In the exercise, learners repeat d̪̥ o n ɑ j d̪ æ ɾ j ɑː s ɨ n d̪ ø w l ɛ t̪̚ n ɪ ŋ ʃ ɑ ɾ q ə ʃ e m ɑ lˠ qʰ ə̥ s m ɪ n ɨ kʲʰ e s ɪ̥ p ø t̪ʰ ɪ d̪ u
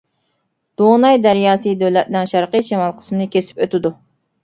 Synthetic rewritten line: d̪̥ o n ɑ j d̪ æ ɾ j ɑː s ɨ d̪ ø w l ɛ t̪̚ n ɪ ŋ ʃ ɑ ɾ q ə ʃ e m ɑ lˠ qʰ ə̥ s m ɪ n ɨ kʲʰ e s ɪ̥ p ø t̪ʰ ɪ d̪ u

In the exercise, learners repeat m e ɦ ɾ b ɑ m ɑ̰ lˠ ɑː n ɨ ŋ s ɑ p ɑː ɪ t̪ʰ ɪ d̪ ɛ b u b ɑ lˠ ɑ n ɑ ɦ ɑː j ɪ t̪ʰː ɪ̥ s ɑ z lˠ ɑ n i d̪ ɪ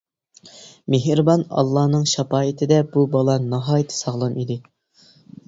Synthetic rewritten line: m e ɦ ɾ b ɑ n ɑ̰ lˠː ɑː n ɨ ŋ ʃ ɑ p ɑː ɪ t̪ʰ ɪ d̪ ɛ b u b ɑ lˠ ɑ n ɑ ɦ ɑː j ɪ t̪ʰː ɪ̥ s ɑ ʁ lˠ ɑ n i d̪ ɪ

